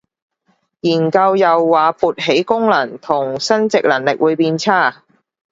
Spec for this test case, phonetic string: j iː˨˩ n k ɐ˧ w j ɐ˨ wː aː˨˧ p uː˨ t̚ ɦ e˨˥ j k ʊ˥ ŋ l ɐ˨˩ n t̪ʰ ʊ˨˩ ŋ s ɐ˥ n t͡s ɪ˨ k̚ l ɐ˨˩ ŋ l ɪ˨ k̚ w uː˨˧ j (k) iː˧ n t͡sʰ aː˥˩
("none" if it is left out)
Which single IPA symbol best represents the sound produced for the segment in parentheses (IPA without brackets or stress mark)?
p